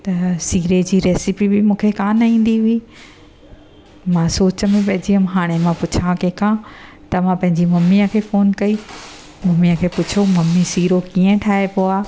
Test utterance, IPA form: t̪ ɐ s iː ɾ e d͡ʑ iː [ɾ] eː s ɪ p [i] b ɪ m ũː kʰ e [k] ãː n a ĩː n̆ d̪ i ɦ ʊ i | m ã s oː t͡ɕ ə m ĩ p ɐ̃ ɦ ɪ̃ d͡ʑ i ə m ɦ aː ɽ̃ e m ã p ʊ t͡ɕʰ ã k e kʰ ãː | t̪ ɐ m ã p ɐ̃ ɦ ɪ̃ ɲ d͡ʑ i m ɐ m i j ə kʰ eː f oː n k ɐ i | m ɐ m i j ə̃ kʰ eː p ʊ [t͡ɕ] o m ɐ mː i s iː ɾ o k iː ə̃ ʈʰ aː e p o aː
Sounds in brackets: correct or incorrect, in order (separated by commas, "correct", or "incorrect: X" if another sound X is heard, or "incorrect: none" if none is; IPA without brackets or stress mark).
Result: correct, correct, correct, incorrect: t͡ɕʰ